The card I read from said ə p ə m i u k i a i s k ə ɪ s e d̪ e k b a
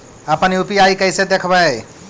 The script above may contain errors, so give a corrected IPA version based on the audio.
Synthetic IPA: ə p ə n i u p i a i k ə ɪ s e d̪ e kʰ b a